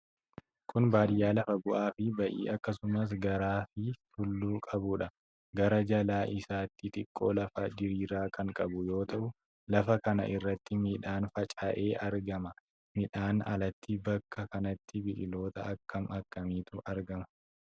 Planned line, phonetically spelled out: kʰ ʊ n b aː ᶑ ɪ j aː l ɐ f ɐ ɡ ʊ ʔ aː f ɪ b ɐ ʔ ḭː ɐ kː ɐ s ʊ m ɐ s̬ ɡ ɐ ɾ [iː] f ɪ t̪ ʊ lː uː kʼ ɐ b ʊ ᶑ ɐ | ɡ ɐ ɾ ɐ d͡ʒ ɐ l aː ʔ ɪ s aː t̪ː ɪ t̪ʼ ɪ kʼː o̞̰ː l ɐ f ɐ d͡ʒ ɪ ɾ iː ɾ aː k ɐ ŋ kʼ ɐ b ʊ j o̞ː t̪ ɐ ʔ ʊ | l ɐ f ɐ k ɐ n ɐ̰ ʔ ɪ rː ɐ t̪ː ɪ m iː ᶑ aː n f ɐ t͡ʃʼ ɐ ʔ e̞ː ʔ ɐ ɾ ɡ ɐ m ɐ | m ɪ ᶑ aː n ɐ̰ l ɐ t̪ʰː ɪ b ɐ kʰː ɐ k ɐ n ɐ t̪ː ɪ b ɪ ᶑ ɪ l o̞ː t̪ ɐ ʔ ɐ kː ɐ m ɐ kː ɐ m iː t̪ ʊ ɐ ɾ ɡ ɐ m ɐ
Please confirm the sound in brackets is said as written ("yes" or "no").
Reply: no